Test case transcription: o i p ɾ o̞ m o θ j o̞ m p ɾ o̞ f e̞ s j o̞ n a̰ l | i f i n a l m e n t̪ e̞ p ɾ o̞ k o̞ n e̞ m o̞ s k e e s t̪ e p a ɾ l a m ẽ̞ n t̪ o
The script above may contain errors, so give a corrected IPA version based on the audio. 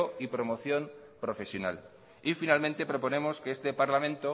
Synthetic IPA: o i p ɾ o̞ m o θ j o̞ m p ɾ o̞ f e̞ s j o̞ n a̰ l | i f i n a l m ẽ n t̪ e̞ p ɾ o̞ p o̞ n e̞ m o̞ s k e e s t̪ e p a ɾ l a m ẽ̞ n t̪ o